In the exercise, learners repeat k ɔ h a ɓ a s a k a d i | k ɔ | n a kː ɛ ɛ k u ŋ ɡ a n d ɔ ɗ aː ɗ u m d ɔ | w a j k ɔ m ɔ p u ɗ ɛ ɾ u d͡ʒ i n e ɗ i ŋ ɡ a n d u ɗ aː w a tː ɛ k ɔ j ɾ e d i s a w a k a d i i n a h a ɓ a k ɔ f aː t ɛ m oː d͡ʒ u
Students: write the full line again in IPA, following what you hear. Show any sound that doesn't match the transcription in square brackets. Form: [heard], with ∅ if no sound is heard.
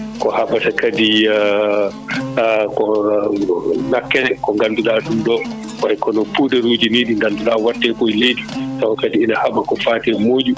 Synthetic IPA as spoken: k ɔ h a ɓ a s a k a d i | k ɔ | n a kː ɛ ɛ k [ɔ] ŋ ɡ a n d [u] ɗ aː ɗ u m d ɔ | w a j k ɔ [n] ɔ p u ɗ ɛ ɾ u d͡ʒ i n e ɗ i ŋ ɡ a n d u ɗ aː w a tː ɛ k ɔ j [l] e d i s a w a k a d i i n a h a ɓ a k ɔ f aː t ɛ m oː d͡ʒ u